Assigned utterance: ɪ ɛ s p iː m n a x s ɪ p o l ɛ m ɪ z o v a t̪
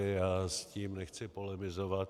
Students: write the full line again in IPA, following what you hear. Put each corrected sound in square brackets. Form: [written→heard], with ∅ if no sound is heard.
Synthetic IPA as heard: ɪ [ɛ→a] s [p→c] iː m n [a→ɛ] x [s→t͡s] ɪ p o l ɛ m ɪ z o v a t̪